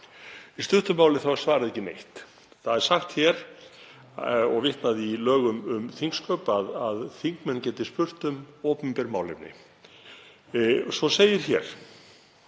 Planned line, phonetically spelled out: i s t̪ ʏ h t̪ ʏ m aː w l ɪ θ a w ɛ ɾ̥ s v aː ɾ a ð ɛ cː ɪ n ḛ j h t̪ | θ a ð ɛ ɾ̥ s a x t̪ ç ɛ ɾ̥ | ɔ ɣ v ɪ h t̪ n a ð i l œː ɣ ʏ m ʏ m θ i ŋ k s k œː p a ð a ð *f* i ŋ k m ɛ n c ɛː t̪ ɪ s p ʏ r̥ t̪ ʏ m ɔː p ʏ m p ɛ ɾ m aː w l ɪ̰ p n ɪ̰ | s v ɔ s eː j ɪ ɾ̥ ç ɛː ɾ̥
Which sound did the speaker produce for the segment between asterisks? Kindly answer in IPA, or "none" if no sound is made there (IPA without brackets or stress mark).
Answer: θ